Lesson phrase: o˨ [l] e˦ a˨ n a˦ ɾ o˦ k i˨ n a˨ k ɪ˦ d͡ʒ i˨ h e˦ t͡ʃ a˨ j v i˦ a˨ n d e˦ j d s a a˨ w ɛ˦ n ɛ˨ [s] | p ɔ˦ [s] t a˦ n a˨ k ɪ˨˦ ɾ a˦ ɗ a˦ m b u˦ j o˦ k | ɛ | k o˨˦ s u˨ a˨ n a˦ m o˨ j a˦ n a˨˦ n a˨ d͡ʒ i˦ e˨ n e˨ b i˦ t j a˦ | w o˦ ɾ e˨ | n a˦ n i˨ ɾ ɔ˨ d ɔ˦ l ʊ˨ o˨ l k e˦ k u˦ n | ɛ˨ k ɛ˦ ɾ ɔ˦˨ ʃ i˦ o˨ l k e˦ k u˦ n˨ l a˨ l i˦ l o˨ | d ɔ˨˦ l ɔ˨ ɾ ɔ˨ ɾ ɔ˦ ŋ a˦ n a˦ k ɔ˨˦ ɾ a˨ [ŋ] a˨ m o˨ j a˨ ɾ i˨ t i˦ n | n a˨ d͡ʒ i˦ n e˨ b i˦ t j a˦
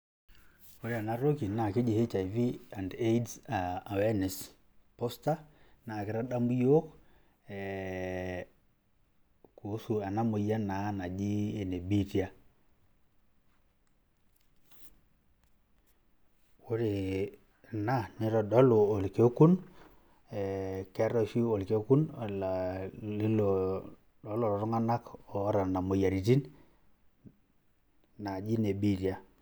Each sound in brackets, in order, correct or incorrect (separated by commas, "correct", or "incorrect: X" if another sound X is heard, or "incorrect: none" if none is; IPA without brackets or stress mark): incorrect: ɾ, correct, correct, incorrect: n